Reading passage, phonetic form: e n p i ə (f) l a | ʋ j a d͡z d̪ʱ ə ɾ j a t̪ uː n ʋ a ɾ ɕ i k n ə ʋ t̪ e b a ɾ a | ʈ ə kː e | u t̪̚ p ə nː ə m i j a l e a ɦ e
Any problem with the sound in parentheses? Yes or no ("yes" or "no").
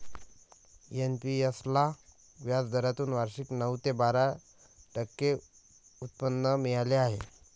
yes